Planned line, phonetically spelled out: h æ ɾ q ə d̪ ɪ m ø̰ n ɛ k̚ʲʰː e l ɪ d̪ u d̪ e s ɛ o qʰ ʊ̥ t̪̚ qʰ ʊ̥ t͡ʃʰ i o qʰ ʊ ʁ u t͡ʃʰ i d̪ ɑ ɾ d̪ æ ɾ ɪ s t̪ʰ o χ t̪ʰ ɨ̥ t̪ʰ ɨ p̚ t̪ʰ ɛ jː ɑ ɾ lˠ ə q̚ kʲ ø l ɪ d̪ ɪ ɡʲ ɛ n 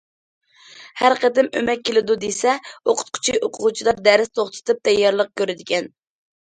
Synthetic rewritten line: h æ ɾ q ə d̪ ɪ m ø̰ m ɛ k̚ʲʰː e l ɪ d̪ u d̪ e s ɛ o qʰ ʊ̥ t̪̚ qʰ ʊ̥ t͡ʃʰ i o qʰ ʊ ʁ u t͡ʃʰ i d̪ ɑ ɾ d̪ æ ɾ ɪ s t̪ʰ o χ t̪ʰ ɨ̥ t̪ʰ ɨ p̚ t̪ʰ ɛ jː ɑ ɾ lˠ ə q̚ kʲ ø ɾ ɪ d̪ ɪ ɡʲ ɛ n